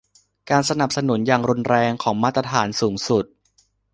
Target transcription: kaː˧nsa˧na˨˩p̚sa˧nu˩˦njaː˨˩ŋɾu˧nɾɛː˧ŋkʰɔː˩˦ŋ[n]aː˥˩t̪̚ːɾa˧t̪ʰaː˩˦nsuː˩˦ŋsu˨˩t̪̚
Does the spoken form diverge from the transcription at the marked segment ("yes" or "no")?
yes